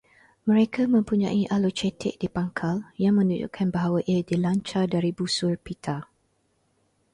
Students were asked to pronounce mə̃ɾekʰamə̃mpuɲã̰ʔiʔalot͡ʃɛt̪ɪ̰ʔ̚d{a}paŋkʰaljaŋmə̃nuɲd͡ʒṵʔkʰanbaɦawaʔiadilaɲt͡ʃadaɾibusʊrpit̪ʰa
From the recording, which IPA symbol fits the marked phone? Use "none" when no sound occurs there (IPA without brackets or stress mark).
i